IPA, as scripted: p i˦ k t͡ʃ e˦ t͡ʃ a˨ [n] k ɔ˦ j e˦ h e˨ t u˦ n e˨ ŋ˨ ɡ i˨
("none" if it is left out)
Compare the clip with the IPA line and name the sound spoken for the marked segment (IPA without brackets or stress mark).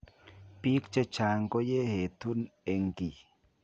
ŋ